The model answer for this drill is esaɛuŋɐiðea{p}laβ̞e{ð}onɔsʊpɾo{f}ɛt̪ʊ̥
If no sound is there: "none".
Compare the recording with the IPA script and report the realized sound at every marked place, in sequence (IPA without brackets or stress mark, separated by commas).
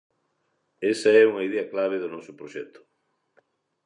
k, ð, ʃ